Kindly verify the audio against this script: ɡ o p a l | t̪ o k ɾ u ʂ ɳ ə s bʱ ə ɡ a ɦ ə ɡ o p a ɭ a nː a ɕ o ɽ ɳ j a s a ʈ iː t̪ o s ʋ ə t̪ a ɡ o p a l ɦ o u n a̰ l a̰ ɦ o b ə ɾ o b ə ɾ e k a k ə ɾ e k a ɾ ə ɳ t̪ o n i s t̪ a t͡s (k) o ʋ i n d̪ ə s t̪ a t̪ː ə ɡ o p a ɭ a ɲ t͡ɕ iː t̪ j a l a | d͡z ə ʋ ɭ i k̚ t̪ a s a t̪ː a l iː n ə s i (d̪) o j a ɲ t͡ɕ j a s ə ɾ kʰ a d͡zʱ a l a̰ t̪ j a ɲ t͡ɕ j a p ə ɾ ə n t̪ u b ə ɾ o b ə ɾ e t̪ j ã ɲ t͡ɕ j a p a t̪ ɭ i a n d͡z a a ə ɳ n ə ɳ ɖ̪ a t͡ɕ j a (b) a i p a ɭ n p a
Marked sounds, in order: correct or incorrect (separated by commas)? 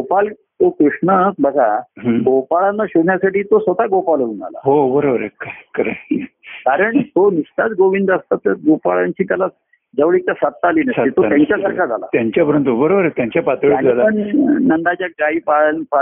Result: incorrect, incorrect, incorrect